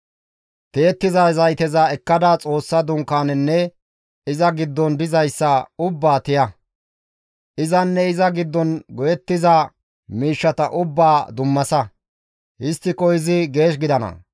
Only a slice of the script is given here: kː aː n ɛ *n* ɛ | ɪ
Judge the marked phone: incorrect: nː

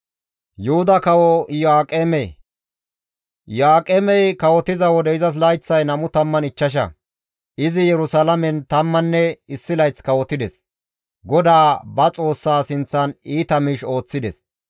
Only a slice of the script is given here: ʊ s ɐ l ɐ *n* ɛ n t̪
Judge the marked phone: incorrect: m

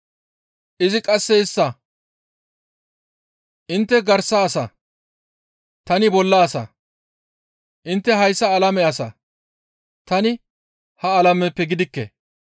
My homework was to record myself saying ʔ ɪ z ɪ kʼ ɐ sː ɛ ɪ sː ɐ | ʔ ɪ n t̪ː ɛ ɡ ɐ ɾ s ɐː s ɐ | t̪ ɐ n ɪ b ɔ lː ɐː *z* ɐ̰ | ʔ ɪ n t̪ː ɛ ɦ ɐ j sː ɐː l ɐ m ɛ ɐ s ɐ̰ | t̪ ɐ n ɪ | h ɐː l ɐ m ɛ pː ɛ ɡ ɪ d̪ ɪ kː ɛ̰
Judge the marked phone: incorrect: s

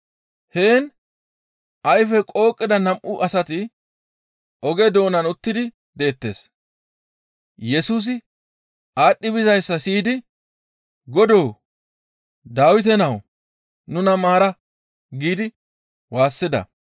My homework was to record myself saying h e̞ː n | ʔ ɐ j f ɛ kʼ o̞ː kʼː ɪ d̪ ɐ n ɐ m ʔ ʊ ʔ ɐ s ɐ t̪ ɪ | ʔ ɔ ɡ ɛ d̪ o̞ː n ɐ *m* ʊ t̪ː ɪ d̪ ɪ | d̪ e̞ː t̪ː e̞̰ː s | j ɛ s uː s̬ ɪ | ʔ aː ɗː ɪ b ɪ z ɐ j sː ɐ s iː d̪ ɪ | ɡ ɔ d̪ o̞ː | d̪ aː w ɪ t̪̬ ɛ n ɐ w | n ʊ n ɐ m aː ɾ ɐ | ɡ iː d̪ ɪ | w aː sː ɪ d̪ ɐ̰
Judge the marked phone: incorrect: n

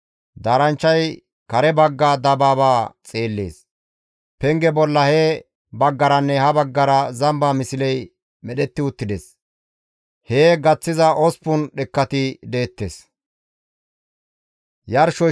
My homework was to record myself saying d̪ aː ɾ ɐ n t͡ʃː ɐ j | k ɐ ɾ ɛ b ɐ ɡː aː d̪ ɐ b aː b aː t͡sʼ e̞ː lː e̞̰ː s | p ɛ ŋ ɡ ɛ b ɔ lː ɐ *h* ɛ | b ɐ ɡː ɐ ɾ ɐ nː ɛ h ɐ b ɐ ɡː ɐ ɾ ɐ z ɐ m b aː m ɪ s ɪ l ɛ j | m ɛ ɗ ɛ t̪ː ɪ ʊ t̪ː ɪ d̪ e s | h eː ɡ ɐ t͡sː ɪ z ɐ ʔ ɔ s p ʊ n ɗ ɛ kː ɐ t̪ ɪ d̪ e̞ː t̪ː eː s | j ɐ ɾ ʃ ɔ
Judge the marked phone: correct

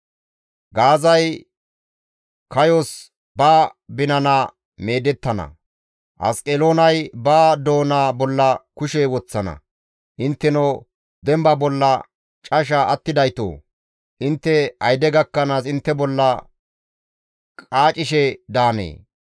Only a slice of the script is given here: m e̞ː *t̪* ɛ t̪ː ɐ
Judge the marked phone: incorrect: d̪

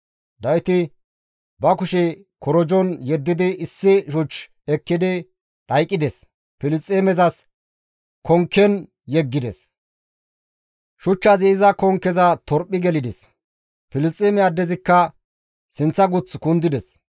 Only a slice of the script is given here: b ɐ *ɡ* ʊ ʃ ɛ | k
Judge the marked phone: incorrect: k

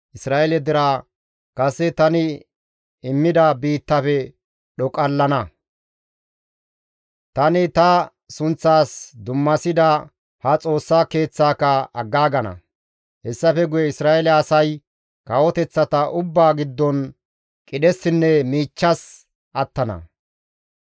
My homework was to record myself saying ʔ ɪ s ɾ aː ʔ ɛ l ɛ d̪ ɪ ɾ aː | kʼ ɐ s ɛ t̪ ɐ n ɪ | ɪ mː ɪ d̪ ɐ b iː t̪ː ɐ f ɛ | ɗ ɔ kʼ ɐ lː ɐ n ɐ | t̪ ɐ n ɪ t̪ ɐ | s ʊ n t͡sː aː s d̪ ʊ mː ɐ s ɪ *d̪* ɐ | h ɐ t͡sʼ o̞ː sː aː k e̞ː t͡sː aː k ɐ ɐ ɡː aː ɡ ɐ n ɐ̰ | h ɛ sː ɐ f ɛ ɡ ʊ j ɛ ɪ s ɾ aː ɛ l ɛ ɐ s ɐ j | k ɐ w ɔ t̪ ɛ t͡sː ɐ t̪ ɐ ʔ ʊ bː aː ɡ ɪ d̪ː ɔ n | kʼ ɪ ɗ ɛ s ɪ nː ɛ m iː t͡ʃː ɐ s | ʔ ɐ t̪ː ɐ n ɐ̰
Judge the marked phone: correct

